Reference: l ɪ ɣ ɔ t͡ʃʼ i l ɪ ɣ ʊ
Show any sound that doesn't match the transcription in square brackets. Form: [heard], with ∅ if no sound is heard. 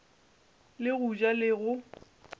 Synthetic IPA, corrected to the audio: l ɪ ɣ [u] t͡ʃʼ [a] l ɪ ɣ ʊ